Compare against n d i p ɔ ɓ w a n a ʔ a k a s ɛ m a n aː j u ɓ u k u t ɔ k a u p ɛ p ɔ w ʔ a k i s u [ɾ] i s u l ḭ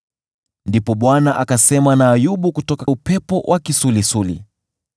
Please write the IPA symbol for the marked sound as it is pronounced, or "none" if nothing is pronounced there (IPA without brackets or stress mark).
l